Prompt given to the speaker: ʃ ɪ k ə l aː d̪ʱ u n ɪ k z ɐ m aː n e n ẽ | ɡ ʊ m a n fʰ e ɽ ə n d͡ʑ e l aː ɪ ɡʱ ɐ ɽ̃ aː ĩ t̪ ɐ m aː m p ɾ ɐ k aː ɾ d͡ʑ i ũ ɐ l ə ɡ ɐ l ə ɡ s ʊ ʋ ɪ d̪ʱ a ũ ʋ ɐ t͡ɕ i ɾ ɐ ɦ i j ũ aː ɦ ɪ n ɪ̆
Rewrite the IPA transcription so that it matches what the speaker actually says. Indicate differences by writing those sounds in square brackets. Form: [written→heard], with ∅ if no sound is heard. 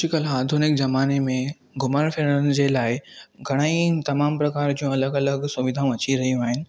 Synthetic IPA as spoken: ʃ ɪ k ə l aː d̪ʱ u n ɪ k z ɐ m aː n e [n→m] ẽ | ɡ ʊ m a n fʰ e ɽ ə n d͡ʑ e l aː ɪ ɡʱ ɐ ɽ̃ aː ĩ t̪ ɐ m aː m p ɾ ɐ k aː ɾ d͡ʑ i ũ ɐ l ə ɡ ɐ l ə ɡ s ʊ ʋ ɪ d̪ʱ a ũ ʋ ɐ t͡ɕ i ɾ ɐ ɦ i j ũ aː ɦ ɪ n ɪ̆